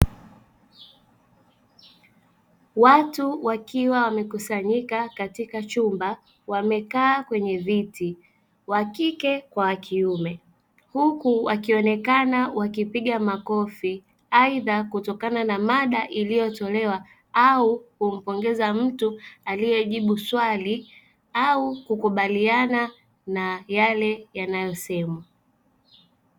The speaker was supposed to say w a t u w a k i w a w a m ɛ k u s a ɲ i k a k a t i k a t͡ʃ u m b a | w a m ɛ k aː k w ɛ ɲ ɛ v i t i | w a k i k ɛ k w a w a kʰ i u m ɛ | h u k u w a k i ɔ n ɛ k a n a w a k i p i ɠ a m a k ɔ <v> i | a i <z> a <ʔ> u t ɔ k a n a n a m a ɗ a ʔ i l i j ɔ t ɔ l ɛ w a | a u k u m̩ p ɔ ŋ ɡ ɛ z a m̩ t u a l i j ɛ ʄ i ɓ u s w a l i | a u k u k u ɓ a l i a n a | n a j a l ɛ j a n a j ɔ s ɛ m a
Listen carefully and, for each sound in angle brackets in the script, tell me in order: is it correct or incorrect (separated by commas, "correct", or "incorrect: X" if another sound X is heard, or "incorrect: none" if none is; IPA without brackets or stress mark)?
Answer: incorrect: f, incorrect: ð, incorrect: k